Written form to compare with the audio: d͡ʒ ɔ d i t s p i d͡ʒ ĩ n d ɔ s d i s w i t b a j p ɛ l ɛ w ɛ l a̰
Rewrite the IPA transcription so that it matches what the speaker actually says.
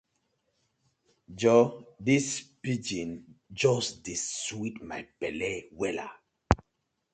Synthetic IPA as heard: d͡ʒ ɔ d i s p i d͡ʒ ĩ n d͡ʒ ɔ s d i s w i t m a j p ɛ l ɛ w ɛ l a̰